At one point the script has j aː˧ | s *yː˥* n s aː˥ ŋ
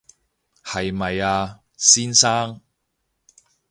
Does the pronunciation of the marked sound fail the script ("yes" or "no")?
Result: yes